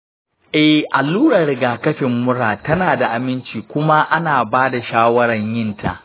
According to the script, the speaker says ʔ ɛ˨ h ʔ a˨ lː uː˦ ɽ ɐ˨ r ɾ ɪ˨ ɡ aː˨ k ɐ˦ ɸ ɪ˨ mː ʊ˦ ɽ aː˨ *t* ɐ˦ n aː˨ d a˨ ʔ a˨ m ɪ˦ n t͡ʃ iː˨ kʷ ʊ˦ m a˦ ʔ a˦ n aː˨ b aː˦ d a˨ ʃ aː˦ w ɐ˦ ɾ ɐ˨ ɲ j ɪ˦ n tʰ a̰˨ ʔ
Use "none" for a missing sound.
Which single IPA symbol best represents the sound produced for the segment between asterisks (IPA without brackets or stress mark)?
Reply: t